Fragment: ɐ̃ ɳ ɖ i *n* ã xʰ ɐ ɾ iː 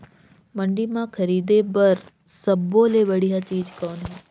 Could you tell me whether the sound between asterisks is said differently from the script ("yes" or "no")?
yes